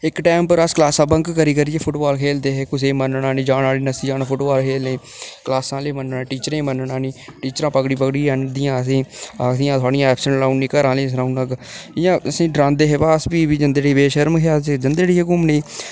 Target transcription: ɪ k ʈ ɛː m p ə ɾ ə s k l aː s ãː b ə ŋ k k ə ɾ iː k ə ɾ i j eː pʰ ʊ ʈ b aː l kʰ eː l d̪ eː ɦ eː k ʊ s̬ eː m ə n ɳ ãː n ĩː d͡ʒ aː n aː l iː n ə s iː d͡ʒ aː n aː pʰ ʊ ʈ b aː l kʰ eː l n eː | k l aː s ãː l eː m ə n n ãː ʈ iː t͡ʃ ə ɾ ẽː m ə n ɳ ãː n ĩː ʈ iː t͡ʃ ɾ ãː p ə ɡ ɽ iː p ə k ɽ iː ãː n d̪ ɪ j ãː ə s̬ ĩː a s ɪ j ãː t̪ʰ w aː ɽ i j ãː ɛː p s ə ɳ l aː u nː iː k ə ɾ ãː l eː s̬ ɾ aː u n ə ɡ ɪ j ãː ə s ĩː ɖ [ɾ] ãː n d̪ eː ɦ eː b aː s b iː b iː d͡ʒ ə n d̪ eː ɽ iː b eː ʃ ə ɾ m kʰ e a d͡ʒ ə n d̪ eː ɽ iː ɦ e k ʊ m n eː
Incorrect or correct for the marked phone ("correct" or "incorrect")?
correct